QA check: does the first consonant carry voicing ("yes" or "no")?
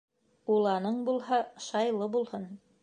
yes